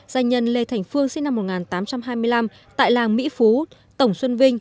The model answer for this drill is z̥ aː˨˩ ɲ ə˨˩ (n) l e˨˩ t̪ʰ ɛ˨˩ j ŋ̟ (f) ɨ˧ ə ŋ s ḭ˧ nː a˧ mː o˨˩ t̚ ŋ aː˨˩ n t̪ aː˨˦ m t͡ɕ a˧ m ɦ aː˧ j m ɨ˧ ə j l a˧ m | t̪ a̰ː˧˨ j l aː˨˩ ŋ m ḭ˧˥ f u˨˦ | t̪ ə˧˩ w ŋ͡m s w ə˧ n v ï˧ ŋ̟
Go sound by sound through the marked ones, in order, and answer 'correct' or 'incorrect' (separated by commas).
correct, correct